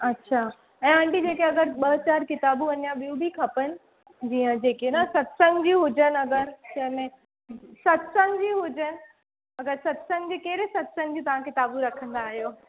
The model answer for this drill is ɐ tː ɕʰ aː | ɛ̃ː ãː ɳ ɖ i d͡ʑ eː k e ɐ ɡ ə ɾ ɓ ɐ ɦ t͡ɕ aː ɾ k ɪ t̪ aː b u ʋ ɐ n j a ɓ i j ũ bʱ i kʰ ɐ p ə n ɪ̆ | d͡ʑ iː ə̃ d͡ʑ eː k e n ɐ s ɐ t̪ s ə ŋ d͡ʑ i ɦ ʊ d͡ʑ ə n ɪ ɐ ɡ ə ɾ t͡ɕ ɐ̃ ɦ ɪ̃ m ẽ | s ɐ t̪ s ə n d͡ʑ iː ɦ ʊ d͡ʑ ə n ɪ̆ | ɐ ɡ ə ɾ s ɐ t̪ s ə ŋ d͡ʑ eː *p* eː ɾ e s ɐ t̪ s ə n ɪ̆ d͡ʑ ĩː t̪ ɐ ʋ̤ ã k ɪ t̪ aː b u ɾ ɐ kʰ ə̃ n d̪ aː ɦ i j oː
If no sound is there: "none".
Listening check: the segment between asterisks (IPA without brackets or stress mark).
k